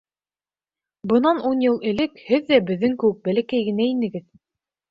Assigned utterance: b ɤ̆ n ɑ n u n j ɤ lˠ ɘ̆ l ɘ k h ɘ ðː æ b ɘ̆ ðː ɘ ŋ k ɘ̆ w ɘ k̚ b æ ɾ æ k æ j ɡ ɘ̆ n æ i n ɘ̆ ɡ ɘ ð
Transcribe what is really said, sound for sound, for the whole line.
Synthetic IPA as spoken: b ɤ̆ n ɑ n u n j ɤ lˠ ɘ̆ l ɘ k h ɘ ðː æ b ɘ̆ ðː ɘ ŋ k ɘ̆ w ɘ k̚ b æ l æ k æ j ɡ ɘ̆ n æ i n ɘ̆ ɡ ɘ ð